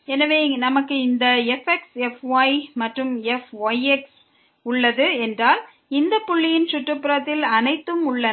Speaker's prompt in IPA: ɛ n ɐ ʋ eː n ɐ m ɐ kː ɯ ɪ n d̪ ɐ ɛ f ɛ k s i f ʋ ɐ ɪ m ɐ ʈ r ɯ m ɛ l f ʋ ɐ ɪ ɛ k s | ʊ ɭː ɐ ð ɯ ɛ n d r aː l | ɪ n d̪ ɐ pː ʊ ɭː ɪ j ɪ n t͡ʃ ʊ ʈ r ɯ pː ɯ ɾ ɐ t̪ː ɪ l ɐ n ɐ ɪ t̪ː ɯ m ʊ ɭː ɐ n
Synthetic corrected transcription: ɛ n ɐ ʋ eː n ɐ m ɐ kː ɯ ɪ n d̪ ɐ ɛ f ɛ k s ɛ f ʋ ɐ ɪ m ɐ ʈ r ɯ m ɛ f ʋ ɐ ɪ ɛ k s | ʊ ɭː ɐ ð ɯ ɛ n d r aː l | ɪ n d̪ ɐ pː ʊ ɭː ɪ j ɪ n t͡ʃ ʊ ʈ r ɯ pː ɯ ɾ ɐ t̪ː ɪ l ɐ n ɐ ɪ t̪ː ɯ m ʊ ɭː ɐ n